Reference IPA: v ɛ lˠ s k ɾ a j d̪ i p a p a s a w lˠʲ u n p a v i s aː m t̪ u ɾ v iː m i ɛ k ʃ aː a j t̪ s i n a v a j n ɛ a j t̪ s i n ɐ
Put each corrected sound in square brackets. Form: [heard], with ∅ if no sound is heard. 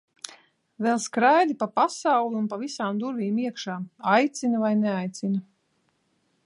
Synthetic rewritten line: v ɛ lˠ s k ɾ a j d̪ i p a p a s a w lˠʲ u n p a v i s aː m [d̪] u ɾ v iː m i ɛ k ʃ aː a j t̪ s i n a v a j n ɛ a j t̪ s i n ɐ